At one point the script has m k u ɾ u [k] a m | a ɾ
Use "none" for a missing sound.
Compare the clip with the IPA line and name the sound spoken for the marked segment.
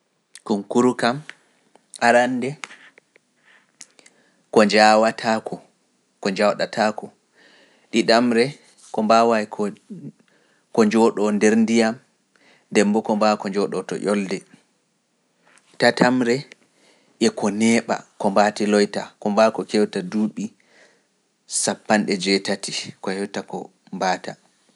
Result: k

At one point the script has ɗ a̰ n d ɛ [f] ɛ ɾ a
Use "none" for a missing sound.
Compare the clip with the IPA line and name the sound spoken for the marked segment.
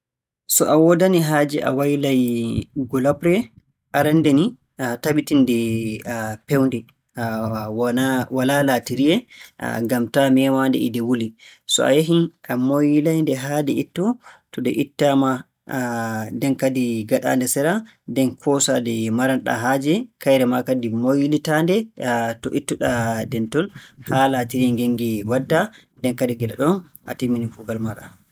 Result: s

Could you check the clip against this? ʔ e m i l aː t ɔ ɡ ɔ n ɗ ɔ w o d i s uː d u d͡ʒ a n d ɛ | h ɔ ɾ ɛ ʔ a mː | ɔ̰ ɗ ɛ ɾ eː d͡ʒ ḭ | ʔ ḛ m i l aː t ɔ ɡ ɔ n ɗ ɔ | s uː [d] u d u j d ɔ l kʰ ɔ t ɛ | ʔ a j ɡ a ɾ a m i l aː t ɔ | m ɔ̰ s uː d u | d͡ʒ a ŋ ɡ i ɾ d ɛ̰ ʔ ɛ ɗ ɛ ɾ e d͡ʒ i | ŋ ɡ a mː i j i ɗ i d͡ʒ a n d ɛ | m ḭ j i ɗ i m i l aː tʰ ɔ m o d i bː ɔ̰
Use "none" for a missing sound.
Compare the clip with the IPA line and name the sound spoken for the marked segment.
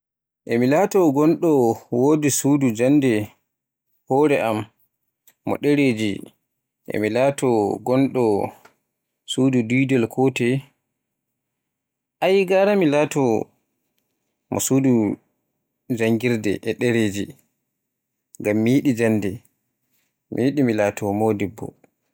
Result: d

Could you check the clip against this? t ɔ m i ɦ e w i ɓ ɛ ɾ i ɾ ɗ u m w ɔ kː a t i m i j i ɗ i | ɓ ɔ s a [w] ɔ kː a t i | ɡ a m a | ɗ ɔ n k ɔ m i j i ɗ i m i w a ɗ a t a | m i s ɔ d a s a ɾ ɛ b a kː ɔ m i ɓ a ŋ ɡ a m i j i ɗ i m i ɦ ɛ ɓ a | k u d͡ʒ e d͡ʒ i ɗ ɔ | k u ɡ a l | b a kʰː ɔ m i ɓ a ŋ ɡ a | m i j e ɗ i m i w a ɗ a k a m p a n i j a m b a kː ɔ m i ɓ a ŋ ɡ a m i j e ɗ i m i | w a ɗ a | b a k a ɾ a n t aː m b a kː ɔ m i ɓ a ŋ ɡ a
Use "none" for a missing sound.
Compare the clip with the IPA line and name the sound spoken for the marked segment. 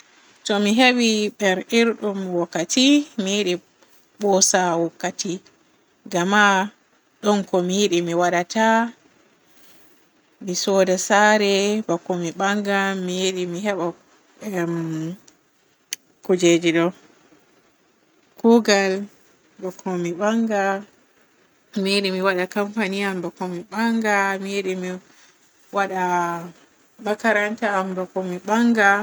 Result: w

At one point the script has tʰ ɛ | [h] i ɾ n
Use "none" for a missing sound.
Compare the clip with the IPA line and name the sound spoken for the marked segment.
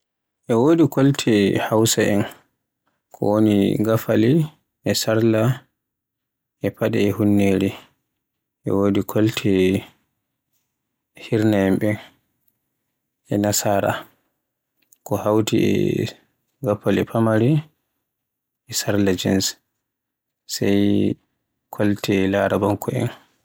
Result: h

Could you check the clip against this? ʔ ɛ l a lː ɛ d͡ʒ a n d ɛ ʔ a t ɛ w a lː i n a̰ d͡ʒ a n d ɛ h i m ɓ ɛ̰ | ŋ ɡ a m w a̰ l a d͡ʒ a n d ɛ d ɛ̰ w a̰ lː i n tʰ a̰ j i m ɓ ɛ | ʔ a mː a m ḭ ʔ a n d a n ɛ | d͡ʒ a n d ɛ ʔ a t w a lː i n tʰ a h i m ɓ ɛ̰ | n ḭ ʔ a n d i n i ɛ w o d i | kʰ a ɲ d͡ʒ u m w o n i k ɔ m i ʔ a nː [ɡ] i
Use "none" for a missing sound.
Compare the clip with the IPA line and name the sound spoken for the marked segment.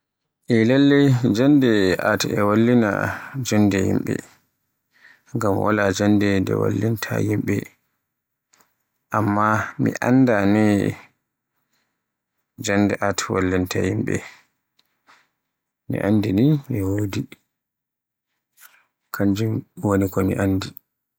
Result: d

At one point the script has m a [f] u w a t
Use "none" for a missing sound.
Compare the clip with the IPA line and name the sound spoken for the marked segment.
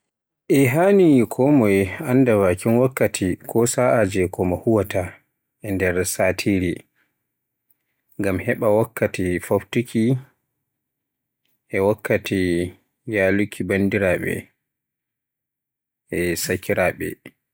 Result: h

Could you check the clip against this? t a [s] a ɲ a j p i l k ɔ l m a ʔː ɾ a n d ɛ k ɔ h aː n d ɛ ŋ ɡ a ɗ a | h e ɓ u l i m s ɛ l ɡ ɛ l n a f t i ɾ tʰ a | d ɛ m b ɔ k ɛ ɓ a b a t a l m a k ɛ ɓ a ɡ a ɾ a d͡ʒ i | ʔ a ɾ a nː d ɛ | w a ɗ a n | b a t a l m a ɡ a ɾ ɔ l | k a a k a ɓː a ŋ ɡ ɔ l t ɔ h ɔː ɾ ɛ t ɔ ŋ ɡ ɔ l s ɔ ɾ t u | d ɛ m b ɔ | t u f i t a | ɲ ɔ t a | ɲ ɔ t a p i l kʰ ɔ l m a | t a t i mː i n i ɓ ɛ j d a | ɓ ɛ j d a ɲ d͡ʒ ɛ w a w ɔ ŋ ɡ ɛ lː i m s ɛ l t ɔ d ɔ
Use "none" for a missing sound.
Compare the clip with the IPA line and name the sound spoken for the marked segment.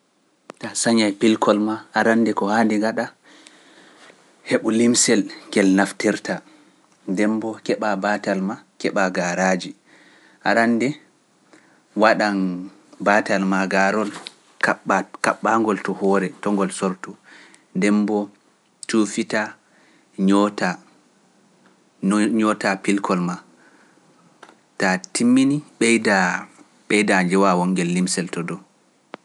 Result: s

